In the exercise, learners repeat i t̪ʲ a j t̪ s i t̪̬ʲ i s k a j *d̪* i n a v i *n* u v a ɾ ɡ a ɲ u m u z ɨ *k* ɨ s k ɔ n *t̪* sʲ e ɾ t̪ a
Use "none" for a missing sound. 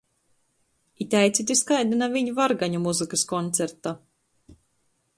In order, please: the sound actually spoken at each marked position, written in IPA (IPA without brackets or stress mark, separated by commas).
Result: d̪, ɲ, k, t̪